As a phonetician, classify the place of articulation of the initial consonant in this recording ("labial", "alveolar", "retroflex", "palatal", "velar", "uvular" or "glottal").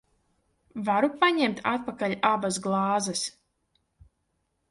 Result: labial